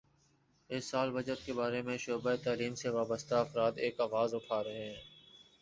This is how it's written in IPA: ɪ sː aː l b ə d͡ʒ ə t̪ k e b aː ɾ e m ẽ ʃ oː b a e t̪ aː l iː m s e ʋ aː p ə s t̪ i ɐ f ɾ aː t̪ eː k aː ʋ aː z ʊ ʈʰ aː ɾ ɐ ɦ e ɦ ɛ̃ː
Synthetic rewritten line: ɪ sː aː l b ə d͡ʒ ə t̪ k e b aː ɾ e m ẽ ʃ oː b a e t̪ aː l iː m s e ʋ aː b ə s t̪ a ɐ f ɾ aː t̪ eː k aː ʋ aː z ʊ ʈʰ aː ɾ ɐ ɦ e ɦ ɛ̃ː

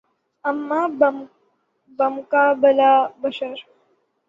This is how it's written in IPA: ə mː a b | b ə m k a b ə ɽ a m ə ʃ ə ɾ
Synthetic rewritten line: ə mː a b | b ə m k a b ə l a b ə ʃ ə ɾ

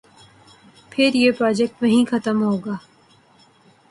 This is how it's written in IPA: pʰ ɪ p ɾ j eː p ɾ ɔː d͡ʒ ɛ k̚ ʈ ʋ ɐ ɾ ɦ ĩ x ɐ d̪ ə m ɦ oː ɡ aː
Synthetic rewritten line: pʰ ɪ ɾ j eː p ɾ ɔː d͡ʒ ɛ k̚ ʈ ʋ ɐ ɦ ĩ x ɐ t̪ ə m ɦ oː ɡ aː

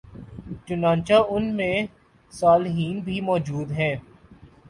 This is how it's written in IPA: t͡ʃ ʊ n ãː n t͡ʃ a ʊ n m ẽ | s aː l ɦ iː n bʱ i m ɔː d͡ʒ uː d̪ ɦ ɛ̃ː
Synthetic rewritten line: t͡ʃ ʊ n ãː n t͡ʃ a ʊ n m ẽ | s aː l ɦ iː n bʱ i m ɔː d͡ʒ uː d̪ ɦ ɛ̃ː

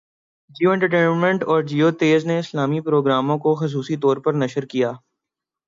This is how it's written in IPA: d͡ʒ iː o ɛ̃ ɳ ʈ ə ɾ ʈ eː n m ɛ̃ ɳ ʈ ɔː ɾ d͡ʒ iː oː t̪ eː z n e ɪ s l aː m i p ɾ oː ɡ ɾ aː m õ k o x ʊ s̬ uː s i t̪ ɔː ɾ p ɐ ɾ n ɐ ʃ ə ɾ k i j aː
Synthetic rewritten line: d͡ʒ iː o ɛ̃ ɳ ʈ ə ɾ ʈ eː n m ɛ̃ ɳ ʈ ɔː ɾ d͡ʒ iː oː t̪ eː z n e ɪ s l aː m i p ɾ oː ɡ ɾ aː m õ k o x ʊ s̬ uː s i t̪ ɔː ɾ p ɐ ɾ n ɐ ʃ ə ɾ k i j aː

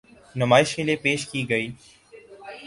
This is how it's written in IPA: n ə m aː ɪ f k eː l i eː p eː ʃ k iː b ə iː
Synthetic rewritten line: n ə m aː ɪ ʃ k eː l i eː p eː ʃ k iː ɡ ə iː

